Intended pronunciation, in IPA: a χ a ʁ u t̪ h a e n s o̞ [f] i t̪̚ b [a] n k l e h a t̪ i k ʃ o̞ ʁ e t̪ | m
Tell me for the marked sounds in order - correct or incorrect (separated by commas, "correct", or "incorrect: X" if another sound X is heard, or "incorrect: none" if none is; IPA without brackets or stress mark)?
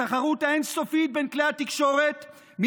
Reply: correct, incorrect: e